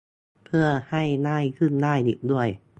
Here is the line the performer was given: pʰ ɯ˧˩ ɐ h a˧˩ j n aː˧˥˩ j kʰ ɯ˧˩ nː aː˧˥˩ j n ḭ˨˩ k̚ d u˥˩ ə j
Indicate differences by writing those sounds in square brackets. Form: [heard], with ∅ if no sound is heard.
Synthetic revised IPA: pʰ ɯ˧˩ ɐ h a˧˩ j n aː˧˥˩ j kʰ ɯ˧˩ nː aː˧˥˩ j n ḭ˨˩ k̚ d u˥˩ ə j